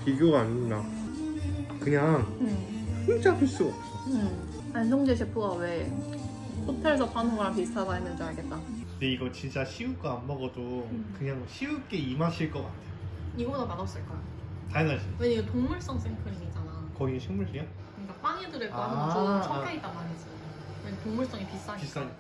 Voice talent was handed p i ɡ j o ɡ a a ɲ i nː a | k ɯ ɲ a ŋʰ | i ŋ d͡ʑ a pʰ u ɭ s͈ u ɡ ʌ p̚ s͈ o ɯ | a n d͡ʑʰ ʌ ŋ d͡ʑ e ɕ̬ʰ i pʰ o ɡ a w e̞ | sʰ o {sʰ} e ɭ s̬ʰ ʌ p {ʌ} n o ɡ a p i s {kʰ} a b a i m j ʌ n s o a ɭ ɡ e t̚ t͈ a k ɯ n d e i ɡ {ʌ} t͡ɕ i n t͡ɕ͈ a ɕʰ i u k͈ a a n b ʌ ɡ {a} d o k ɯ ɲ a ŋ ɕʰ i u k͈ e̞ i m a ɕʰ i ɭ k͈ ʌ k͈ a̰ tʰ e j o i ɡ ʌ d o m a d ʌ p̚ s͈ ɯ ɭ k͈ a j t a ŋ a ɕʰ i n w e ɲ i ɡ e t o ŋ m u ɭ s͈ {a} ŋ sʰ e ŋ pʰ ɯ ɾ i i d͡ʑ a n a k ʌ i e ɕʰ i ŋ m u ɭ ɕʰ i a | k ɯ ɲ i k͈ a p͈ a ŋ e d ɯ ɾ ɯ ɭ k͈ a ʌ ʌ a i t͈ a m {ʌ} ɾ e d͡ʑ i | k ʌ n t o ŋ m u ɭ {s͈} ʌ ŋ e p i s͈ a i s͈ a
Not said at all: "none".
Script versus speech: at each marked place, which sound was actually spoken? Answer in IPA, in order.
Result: tʰ, a, tʰ, ʌ, ʌ, ʌ, a, s͈

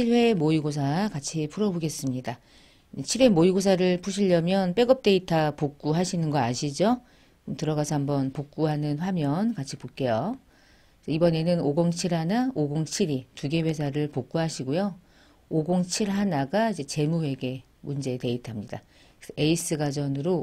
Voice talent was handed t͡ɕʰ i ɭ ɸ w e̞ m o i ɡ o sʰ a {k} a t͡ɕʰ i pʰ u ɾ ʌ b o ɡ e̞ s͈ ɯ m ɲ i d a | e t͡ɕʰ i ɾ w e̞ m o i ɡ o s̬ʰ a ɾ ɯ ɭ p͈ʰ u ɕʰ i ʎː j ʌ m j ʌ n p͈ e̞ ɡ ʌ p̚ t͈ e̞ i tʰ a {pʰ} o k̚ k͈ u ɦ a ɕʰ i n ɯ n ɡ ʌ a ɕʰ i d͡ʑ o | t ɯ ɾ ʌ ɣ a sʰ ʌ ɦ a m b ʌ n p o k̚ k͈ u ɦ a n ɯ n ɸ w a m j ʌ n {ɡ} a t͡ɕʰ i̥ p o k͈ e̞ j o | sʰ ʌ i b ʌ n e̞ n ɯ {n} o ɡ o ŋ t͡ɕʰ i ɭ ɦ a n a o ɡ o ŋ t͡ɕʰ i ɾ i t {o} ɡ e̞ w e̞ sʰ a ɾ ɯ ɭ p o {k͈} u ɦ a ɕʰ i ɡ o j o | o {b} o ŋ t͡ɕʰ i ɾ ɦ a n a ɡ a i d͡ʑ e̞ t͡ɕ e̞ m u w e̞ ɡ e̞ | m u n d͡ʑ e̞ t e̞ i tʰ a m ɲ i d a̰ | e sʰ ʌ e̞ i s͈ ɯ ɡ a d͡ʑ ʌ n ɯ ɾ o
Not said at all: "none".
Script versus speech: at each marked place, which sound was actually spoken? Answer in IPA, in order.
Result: k, p, k, n, u, k͈, ɡ

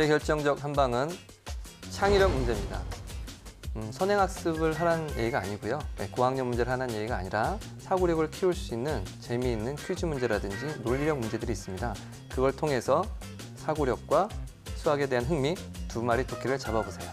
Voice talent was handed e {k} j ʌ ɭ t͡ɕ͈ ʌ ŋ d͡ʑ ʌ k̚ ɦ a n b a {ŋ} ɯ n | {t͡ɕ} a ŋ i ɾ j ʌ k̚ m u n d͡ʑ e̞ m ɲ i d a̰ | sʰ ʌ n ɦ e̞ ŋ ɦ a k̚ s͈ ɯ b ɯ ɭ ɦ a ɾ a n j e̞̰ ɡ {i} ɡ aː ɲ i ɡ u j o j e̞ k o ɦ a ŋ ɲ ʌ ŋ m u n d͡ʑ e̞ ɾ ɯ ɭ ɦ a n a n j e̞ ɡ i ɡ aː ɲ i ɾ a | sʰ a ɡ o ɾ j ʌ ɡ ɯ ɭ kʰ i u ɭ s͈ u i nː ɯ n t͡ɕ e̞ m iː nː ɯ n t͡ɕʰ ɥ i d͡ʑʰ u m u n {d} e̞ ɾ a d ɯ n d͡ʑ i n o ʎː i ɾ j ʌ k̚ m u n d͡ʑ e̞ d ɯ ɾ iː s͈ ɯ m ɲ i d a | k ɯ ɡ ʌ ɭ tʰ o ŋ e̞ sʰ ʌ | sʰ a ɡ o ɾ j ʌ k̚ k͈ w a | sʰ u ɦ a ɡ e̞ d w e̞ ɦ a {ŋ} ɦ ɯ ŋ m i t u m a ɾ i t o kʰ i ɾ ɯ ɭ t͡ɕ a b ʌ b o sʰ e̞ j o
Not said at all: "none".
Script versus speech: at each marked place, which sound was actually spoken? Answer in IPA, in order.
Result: k, ŋ, t͡ɕʰ, i, d͡ʑ, n

